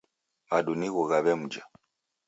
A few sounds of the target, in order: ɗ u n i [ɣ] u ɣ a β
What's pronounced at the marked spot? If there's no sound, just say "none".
ɣ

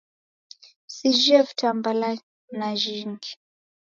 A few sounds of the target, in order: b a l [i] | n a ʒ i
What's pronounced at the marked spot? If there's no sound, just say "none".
a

